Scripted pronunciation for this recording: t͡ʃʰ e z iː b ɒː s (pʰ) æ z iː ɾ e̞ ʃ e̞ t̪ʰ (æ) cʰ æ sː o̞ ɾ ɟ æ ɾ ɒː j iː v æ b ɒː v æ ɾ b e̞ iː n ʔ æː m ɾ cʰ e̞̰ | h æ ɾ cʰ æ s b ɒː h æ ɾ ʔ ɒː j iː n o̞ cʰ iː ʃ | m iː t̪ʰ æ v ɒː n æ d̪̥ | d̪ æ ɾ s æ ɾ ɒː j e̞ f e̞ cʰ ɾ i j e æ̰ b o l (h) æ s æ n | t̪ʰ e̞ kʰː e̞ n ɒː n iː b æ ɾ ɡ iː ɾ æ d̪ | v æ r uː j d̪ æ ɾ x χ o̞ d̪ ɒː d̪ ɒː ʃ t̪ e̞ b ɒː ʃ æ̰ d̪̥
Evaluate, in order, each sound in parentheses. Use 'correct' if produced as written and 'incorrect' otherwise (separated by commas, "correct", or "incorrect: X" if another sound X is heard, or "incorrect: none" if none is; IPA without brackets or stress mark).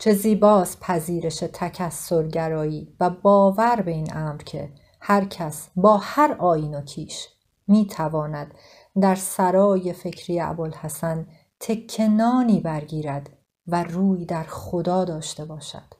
correct, correct, correct